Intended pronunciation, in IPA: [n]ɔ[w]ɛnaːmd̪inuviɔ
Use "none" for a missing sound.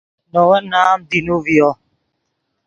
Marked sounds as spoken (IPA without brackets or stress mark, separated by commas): n, w